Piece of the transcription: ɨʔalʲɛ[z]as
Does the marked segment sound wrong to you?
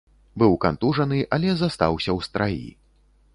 no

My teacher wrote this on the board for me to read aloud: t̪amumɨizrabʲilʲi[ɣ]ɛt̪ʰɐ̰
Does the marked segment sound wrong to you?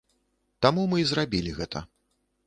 no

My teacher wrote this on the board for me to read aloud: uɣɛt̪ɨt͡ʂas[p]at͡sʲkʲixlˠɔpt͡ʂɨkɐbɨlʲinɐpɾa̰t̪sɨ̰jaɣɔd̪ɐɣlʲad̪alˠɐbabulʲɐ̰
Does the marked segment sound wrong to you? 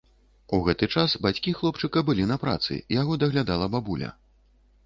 yes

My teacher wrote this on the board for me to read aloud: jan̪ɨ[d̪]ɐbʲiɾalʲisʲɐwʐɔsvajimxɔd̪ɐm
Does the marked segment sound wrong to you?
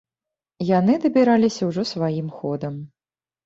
no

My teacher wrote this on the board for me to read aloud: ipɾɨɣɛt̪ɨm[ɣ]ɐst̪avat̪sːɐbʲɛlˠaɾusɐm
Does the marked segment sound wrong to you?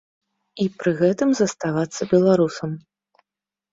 yes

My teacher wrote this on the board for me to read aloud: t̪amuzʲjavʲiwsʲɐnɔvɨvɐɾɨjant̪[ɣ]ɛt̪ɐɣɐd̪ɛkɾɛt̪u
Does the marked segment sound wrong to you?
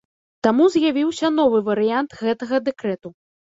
no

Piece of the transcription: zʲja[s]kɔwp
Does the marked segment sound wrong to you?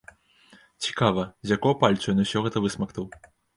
yes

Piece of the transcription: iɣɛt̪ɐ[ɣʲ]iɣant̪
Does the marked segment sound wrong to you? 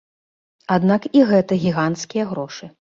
no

